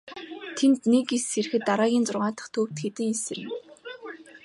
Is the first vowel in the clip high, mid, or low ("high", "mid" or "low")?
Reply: mid